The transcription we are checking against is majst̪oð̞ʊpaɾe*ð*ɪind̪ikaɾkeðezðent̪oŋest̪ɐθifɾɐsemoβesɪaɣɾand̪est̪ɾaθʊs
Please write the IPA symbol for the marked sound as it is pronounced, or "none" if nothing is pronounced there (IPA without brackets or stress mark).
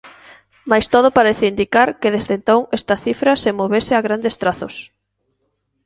θ